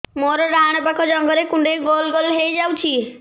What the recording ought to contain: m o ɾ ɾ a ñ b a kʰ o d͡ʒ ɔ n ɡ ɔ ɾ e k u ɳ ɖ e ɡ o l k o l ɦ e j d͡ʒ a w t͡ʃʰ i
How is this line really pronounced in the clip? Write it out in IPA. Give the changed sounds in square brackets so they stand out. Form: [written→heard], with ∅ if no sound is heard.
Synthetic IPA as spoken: m o ɾ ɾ a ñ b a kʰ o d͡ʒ ɔ [n→ŋ] ɡ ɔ ɾ e k u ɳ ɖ e ɡ o l [k→ɡ] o l ɦ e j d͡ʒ a w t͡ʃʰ i